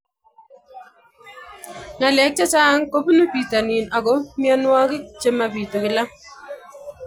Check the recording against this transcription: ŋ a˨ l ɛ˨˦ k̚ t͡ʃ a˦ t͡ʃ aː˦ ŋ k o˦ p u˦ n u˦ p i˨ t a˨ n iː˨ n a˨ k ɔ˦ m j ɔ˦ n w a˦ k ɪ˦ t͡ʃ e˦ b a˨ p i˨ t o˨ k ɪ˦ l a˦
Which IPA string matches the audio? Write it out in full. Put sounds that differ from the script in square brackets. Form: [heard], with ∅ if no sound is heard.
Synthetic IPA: ŋ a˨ l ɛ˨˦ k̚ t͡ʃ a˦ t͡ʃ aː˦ ŋ k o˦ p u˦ n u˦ p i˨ t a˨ n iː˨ n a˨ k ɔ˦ m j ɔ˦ n w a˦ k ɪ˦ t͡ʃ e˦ [m] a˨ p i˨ t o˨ k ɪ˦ l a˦